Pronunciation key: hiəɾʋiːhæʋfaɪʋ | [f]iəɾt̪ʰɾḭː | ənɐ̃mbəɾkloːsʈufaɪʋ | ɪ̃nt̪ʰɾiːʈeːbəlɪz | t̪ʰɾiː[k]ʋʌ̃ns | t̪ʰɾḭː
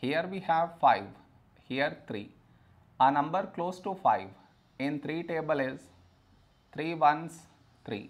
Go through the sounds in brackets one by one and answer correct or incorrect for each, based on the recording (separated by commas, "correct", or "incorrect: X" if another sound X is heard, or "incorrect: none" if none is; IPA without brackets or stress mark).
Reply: incorrect: h, incorrect: none